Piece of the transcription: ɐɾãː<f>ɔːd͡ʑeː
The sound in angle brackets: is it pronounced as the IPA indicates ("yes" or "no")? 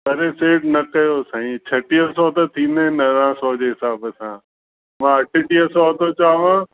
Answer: no